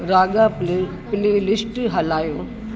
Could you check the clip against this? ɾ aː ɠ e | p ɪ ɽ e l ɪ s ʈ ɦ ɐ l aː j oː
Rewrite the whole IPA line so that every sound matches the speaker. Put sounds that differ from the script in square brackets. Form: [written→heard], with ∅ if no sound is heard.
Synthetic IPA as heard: ɾ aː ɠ [e→a] | p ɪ [ɽ→l] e l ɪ s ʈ ɦ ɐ l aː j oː